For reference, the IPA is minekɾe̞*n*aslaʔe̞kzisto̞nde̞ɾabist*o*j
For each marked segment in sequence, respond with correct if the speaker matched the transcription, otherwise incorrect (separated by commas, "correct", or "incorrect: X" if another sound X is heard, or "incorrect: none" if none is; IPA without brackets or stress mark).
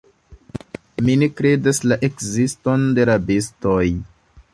incorrect: d, correct